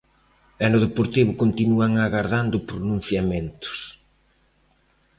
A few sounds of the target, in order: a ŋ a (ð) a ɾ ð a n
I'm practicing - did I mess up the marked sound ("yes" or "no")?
yes